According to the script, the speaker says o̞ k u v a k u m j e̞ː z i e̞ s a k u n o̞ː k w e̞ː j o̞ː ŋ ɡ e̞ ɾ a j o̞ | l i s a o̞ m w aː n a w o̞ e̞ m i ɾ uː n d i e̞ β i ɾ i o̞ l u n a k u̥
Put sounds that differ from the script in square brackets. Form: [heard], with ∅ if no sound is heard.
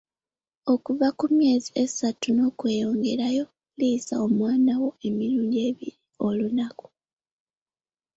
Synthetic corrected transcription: o̞ k u v a k u m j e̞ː z i e̞ s a [t] u n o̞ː k w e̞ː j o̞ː ŋ ɡ e̞ ɾ a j o̞ | l i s a o̞ m w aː n a w o̞ e̞ m i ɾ uː n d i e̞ β i ɾ i o̞ l u n a k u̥